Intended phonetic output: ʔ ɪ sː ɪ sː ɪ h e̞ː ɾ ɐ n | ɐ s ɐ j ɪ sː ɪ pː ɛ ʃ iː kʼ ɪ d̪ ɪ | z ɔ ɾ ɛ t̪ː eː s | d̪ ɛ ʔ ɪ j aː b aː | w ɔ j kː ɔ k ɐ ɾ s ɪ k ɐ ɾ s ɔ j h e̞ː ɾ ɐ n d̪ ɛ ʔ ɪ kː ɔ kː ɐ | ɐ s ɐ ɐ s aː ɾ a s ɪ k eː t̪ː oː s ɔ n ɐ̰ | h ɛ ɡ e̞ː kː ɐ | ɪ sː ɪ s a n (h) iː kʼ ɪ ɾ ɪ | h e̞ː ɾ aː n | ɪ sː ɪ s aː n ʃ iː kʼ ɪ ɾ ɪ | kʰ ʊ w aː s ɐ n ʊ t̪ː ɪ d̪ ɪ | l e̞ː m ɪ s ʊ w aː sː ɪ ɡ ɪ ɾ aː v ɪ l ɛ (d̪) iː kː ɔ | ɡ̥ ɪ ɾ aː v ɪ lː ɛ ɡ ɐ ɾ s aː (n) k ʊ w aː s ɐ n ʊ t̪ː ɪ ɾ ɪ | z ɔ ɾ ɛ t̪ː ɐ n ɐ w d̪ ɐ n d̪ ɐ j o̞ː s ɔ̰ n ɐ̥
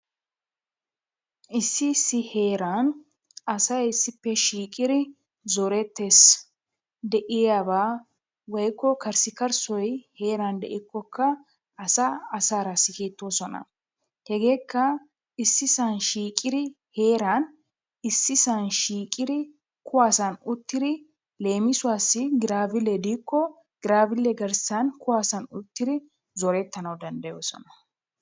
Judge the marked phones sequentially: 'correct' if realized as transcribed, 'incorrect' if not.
incorrect: ʃ, correct, correct

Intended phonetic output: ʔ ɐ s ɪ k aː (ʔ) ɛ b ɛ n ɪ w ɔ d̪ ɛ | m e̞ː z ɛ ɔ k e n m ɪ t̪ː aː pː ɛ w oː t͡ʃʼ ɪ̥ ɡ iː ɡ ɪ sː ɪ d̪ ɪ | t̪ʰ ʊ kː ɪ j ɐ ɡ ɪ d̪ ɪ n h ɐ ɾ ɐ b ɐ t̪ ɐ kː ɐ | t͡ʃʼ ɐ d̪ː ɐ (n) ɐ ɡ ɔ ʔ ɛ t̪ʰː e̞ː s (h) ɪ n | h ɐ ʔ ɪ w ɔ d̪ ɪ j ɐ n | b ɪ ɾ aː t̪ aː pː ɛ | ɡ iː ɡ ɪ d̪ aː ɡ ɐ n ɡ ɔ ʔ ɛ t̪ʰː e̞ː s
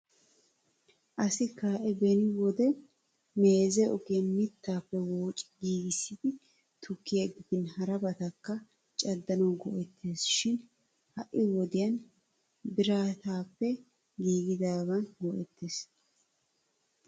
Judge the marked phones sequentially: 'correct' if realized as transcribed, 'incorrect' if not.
correct, correct, incorrect: ʃ

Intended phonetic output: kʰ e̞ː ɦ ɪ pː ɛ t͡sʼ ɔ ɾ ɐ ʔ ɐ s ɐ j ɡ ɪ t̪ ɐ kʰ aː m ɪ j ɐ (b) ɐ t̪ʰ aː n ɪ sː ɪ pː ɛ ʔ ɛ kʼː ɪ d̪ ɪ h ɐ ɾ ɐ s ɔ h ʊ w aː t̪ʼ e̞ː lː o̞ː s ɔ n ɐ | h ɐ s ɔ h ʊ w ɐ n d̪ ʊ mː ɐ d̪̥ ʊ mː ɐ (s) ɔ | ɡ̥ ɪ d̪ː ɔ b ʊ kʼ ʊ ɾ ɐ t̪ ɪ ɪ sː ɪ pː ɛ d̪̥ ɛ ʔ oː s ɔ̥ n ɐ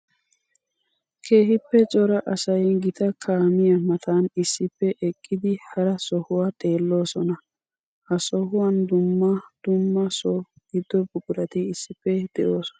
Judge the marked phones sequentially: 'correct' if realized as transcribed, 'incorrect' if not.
incorrect: m, correct

